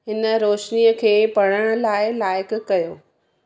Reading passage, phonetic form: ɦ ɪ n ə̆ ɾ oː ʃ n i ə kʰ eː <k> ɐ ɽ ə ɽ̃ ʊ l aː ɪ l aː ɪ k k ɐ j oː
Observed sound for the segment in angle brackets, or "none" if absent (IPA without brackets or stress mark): p